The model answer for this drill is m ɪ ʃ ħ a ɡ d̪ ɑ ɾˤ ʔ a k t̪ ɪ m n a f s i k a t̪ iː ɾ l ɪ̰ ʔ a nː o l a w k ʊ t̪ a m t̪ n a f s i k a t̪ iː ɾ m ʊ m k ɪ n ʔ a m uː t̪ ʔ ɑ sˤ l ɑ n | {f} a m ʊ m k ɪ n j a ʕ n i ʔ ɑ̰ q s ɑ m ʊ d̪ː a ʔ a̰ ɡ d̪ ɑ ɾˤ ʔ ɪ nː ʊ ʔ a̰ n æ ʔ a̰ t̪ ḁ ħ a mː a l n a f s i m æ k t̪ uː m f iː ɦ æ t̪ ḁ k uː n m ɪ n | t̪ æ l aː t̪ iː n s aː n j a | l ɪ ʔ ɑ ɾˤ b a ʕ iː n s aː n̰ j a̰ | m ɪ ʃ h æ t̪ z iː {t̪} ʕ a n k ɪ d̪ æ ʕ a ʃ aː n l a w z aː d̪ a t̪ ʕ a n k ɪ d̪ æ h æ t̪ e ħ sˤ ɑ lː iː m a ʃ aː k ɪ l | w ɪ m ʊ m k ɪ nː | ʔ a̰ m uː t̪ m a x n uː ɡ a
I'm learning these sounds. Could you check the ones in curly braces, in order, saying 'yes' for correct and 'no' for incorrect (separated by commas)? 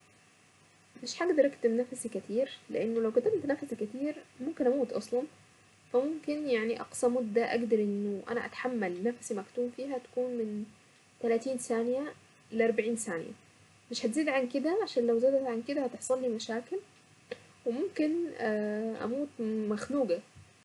yes, no